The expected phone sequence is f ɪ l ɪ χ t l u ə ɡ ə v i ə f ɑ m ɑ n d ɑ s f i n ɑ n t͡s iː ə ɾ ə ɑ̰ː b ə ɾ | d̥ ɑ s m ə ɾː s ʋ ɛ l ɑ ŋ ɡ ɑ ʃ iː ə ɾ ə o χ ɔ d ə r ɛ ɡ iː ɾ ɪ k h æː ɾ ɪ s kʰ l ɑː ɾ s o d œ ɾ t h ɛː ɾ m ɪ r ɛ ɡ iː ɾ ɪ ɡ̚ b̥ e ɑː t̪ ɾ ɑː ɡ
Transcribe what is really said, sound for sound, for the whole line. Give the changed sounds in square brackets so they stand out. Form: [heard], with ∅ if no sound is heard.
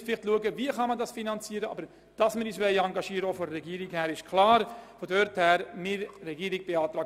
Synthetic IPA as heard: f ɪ l ɪ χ t l u ə ɡ ə v i ə [χ] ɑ m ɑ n d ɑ s f i n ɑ n t͡s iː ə ɾ ə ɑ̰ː b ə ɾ | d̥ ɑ s m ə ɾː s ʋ ɛ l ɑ ŋ ɡ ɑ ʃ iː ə ɾ ə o [f] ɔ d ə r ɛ ɡ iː ɾ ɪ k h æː ɾ ɪ [ʃ] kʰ l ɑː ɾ [f] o d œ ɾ t h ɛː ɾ m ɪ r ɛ ɡ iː ɾ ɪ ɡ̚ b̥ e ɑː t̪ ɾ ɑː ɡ